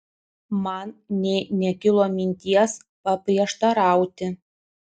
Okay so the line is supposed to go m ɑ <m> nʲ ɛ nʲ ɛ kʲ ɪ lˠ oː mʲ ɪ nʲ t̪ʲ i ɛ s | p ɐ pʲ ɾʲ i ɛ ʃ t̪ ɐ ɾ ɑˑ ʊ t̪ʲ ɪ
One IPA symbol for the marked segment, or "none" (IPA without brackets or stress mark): n